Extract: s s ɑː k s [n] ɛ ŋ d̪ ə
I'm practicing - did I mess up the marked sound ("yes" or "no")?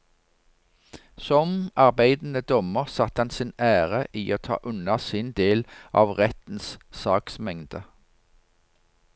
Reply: yes